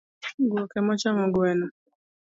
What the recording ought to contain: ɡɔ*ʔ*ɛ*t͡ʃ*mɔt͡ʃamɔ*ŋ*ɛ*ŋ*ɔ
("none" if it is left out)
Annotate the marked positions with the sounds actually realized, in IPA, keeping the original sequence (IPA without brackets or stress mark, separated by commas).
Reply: k, none, ɡ, n